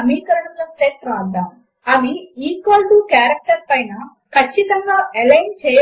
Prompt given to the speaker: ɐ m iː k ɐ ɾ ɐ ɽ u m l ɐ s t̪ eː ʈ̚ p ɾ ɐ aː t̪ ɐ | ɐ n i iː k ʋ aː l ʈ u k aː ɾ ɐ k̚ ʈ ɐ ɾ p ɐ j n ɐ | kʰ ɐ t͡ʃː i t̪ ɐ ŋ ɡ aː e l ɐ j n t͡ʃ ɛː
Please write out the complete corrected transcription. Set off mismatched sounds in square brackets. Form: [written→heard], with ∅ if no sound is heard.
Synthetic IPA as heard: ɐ m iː k ɐ ɾ ɐ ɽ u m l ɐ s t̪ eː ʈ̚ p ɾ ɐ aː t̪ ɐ | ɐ [n→m] i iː k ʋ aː l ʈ u k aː ɾ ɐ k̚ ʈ ɐ ɾ p ɐ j n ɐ | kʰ ɐ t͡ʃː i t̪ ɐ ŋ ɡ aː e l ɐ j n t͡ʃ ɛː